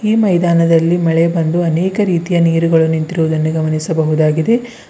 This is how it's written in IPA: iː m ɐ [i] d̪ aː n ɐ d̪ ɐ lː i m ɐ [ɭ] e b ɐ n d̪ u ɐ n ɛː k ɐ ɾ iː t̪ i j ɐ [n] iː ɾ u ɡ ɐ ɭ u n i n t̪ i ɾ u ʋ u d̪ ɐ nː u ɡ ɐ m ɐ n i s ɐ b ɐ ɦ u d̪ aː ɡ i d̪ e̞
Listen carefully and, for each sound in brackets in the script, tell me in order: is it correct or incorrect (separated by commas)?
incorrect, correct, correct